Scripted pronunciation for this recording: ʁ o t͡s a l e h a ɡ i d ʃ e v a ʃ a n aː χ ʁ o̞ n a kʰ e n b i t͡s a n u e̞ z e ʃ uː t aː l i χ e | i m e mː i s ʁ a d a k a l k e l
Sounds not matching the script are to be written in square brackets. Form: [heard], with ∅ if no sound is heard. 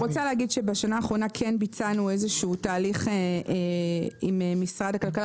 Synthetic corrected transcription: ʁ o t͡s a l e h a ɡ i d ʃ e [b] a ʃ a n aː χ ʁ o̞ n a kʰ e n b i t͡s a n u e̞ z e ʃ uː t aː l i χ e | i m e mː i s ʁ a d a k a l k [a] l